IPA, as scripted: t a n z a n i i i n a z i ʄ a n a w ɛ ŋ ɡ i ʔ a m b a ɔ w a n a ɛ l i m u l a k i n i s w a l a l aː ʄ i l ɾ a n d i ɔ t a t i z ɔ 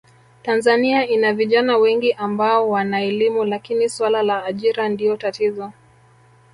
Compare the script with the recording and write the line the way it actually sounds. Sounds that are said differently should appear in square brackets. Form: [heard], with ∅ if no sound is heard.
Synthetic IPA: t a n z a n i [a] i n a [v] i ʄ a n a w ɛ ŋ ɡ i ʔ a m b a ɔ w a n a ɛ l i m u l a k i n i s w a l a l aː ʄ i [∅] ɾ a n d i ɔ t a t i z ɔ